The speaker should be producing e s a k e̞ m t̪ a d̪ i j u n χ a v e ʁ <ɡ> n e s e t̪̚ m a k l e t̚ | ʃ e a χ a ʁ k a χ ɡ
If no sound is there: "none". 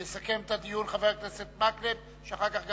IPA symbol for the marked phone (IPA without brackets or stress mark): k